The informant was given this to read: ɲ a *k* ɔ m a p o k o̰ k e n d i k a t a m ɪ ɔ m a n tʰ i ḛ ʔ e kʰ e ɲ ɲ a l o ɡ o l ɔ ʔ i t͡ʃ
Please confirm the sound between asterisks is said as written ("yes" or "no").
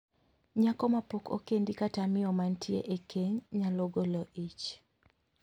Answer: yes